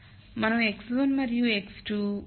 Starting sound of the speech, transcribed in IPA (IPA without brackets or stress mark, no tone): m